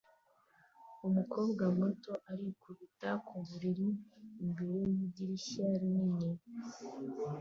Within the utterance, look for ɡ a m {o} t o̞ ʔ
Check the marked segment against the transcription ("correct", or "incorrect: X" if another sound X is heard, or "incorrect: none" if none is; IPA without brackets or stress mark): correct